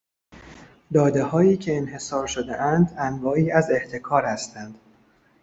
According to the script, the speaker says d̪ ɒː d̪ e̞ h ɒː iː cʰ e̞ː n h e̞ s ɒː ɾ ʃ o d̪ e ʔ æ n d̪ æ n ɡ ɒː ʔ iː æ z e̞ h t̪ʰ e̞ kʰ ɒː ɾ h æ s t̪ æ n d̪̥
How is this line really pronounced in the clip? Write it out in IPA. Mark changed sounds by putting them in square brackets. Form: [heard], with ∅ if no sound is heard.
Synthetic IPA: d̪ ɒː d̪ e̞ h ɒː iː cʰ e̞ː n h e̞ s ɒː ɾ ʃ o d̪ e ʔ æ n d̪ æ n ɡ ɒː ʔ iː æ z e̞ h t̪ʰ e̞ kʰ ɒː ɾ h æ s t̪ æ n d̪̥